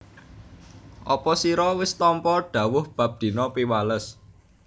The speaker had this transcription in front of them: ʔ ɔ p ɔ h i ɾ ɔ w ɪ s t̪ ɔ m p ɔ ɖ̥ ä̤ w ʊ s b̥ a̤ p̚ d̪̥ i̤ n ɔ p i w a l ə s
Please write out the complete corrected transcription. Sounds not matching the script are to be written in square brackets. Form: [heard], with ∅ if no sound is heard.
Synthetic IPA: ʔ ɔ p ɔ [s] i ɾ ɔ w ɪ s t̪ ɔ m p ɔ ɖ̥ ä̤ w ʊ [h] b̥ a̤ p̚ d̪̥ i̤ n ɔ p i w a l ə s

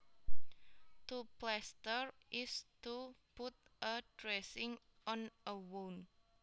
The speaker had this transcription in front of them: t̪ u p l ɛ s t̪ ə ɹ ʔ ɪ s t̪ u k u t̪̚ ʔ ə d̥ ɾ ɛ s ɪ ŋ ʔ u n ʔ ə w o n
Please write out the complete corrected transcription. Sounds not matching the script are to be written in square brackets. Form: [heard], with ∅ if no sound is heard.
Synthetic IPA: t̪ u p l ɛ s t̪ ə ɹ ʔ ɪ s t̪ u [p] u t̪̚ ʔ ə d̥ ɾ ɛ s ɪ ŋ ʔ [ɔ] n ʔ ə w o n

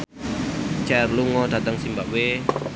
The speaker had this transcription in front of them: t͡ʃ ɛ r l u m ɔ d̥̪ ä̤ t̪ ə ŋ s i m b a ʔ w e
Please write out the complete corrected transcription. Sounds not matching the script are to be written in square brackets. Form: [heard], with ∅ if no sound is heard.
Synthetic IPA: t͡ʃ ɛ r l u [ŋ] ɔ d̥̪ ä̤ t̪ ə ŋ s i m b a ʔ w e

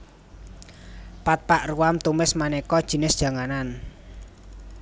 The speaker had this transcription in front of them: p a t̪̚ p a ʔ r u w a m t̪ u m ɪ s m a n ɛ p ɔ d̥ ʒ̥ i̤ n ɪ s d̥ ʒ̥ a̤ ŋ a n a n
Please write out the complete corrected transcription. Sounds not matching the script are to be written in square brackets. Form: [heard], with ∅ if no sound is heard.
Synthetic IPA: p a t̪̚ p a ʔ r u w a m t̪ u m ɪ s m a n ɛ [k] ɔ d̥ ʒ̥ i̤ n ɪ s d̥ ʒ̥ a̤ ŋ a n a n

